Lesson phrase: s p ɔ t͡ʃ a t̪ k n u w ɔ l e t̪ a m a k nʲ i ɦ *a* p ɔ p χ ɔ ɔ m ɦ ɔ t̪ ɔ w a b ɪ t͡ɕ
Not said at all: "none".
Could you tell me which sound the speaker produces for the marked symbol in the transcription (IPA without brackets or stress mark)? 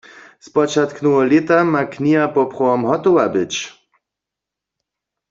a